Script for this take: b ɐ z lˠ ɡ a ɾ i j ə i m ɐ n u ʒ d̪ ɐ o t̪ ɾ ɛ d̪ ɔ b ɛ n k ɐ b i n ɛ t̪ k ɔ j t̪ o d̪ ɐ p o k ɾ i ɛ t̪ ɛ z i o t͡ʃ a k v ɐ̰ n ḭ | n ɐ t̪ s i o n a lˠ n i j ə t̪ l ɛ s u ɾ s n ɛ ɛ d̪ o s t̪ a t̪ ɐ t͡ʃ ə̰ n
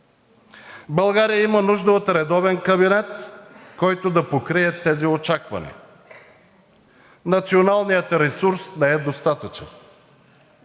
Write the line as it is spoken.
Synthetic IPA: b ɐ lˠ ɡ a ɾ i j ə i m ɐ n u ʒ d̪ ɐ o t̪ ɾ ɛ d̪ ɔ v ɛ n k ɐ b i n ɛ t̪ k ɔ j t̪ o d̪ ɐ p o k ɾ i ɛ t̪ ɛ z i o t͡ʃ a k v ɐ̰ n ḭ | n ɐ t̪ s i o n a lˠ n i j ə t̪ ɾ ɛ s u ɾ s n ɛ ɛ d̪ o s t̪ a t̪ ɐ t͡ʃ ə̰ n